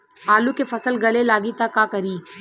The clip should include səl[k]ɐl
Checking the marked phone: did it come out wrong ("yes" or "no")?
yes